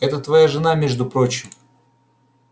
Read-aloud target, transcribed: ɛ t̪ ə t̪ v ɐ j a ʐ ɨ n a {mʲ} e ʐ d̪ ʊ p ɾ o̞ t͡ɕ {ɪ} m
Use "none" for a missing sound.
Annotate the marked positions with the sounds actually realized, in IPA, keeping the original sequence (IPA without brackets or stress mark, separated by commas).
mʲ, ɪ